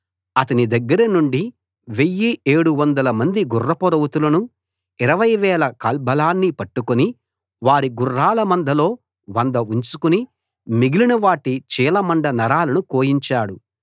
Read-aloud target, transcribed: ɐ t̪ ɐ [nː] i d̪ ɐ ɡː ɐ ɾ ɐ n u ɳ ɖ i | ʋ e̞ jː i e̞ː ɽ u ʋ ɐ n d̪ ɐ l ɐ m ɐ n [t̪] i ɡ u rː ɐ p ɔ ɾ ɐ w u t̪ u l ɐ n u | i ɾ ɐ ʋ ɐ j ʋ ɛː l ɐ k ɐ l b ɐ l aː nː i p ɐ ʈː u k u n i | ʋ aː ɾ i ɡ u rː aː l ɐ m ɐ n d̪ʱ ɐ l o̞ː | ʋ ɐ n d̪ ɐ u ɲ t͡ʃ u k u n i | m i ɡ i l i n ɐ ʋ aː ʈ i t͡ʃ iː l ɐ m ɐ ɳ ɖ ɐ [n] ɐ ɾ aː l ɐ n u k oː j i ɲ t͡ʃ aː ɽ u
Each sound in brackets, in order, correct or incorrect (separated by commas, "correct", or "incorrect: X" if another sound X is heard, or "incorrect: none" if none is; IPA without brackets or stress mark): incorrect: n, incorrect: d̪, correct